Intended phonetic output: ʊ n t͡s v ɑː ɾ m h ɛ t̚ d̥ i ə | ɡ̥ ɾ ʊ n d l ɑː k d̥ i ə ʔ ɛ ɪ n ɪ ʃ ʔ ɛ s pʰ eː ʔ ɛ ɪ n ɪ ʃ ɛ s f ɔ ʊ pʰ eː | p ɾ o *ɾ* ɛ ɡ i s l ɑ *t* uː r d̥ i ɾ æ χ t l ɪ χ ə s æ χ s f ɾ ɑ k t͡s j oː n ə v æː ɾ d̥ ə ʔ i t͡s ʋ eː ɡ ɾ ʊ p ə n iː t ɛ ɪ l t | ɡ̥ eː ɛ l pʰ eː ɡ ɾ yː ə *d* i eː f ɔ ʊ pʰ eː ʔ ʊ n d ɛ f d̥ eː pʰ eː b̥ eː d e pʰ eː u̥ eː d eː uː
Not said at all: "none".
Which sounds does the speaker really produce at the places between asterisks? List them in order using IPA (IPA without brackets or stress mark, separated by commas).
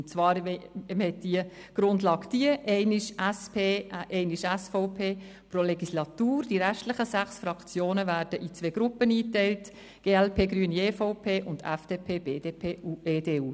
l, t, n